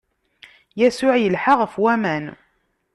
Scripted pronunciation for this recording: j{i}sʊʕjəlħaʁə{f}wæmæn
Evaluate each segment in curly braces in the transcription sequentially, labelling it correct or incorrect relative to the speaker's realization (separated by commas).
incorrect, correct